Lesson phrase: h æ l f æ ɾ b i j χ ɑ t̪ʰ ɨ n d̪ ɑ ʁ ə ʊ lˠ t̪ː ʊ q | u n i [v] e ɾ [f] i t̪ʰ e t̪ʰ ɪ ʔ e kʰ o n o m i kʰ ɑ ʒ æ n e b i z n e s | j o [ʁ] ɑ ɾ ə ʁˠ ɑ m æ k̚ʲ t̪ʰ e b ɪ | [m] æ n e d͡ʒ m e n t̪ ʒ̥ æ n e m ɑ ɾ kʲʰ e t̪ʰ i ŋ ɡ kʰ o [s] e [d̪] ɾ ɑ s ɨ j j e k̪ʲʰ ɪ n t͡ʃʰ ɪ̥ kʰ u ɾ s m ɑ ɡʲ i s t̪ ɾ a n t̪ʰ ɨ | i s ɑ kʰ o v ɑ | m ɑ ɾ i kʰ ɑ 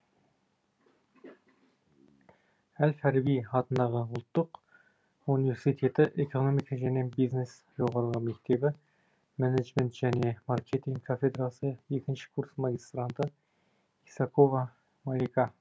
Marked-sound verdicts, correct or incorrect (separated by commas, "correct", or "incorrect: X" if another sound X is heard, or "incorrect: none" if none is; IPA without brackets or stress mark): correct, incorrect: s, correct, correct, incorrect: f, correct